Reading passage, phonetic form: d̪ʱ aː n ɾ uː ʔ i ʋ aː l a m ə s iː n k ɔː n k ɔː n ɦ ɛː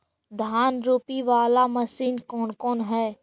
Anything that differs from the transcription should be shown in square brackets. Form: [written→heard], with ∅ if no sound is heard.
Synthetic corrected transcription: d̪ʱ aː n ɾ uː [ʔ→p] i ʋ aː l a m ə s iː n k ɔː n k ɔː n ɦ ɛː